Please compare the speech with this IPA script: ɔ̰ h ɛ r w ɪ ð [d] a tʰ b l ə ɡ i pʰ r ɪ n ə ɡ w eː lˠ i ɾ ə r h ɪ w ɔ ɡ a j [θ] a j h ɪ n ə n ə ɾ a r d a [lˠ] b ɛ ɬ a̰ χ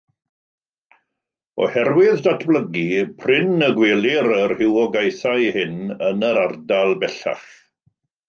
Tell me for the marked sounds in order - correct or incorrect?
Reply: correct, correct, correct

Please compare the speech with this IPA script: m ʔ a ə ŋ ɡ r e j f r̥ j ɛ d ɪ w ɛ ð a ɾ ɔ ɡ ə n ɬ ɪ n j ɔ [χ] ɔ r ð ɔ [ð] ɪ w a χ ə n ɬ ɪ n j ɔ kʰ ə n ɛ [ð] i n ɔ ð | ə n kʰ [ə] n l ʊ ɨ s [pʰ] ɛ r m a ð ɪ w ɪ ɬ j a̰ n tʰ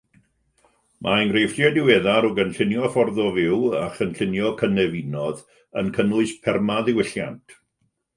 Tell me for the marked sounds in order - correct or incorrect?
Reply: incorrect, incorrect, incorrect, correct, correct

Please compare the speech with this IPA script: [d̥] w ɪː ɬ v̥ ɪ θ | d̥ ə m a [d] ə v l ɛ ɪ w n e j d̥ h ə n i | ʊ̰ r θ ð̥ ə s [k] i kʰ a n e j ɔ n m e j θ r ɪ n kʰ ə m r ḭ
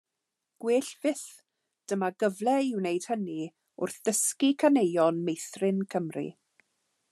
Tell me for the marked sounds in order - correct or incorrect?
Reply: incorrect, incorrect, correct

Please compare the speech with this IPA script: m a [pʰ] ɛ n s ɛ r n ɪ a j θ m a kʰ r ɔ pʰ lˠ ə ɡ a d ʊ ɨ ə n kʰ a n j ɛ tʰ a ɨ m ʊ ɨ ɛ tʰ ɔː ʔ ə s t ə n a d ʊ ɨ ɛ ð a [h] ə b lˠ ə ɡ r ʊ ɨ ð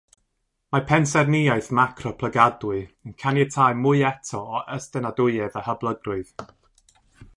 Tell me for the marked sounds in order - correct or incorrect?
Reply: correct, correct

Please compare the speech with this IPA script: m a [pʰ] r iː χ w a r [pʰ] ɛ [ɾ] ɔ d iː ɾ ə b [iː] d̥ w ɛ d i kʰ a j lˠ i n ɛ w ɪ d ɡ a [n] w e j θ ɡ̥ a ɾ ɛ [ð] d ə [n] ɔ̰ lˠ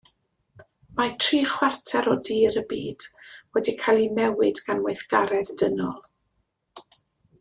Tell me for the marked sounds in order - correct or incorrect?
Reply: incorrect, incorrect, correct, correct, correct, correct, correct

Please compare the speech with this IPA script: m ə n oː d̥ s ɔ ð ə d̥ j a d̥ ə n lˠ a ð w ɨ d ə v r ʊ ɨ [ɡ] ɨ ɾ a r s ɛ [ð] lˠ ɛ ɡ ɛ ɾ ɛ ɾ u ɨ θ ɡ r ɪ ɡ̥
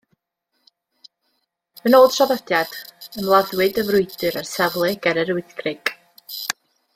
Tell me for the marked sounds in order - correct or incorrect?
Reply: incorrect, incorrect

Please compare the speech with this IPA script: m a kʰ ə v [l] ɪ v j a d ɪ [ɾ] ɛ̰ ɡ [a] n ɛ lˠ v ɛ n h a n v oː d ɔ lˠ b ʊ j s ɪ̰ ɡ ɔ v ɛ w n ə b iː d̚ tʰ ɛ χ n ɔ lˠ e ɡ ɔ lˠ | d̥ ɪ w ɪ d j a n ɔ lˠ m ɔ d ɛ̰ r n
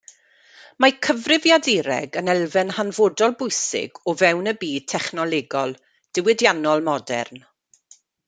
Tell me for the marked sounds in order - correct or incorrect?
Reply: incorrect, correct, incorrect

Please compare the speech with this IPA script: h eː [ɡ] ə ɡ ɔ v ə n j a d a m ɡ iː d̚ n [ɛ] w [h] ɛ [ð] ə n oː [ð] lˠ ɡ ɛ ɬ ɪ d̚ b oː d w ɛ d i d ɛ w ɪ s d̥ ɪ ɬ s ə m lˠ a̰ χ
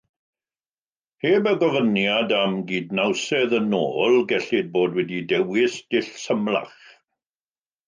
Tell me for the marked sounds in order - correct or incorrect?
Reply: incorrect, incorrect, incorrect, correct, incorrect

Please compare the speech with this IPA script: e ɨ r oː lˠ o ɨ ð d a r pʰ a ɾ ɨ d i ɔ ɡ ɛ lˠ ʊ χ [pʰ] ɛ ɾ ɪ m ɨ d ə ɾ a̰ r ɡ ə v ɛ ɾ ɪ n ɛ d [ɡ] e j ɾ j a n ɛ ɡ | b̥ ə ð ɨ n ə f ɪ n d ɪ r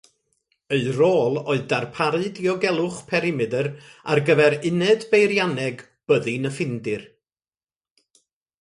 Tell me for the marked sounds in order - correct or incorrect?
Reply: correct, incorrect

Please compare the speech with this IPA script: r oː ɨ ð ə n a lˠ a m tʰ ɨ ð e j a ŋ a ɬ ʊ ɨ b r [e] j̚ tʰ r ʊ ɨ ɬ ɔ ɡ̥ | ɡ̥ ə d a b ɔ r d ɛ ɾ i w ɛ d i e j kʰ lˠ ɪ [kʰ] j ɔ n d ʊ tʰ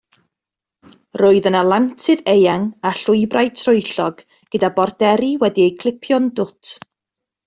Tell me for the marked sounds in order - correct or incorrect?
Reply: incorrect, incorrect

